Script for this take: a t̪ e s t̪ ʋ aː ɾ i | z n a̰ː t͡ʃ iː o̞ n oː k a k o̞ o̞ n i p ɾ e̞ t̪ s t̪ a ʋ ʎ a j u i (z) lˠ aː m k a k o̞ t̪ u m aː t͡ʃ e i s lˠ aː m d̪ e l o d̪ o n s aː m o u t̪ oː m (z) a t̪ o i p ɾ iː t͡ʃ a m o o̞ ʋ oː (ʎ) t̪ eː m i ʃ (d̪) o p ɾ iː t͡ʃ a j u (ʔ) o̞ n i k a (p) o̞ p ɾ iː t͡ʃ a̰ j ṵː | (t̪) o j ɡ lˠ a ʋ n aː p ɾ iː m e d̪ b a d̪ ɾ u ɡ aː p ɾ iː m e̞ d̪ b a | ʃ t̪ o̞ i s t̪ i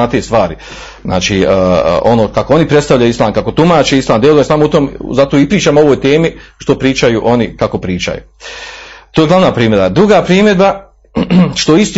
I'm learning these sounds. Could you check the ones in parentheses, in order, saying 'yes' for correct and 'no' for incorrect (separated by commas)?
no, yes, no, no, yes, no, yes